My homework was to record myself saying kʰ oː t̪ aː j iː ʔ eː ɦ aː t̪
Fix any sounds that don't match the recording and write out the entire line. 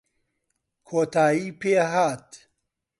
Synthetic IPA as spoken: kʰ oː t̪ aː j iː p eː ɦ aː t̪